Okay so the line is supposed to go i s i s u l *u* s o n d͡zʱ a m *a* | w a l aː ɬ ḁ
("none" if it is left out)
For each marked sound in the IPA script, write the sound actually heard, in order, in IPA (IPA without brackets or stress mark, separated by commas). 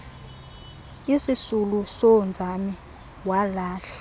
u, i